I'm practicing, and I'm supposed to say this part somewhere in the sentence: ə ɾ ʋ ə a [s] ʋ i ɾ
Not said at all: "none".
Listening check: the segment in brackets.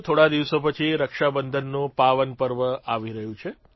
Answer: none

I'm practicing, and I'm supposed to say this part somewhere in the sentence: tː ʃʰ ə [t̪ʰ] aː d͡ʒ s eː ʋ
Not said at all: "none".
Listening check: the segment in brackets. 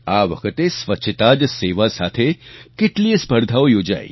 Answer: t̪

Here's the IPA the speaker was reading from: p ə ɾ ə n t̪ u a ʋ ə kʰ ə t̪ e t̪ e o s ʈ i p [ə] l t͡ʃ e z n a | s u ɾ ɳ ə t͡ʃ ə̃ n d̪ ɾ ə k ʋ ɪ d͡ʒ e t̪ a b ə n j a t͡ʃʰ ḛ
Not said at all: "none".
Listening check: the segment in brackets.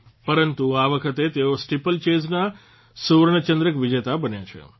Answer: ə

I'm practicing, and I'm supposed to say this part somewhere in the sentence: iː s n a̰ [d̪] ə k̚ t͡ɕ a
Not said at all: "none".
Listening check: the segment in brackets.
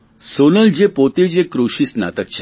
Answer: t̪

